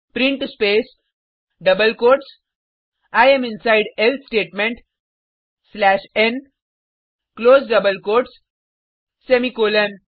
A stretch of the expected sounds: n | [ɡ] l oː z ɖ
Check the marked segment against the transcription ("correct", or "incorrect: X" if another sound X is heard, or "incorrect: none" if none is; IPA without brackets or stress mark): incorrect: k